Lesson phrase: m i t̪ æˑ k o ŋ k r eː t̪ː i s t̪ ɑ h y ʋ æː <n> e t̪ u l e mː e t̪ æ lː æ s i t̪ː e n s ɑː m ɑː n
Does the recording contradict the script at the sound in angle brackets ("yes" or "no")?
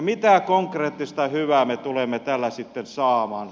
yes